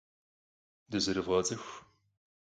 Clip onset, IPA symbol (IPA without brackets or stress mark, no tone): d